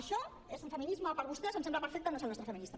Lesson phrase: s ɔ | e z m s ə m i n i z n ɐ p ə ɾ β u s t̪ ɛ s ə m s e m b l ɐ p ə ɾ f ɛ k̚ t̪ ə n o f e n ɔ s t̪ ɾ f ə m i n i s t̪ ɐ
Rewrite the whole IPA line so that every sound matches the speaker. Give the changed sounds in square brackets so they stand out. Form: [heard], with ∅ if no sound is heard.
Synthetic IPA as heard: [ʃ] ɔ | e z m [f] ə m i n i z [m] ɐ p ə ɾ β u s t̪ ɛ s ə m s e m b l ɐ p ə ɾ f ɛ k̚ t̪ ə n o [s] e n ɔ s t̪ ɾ f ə m i n i s t̪ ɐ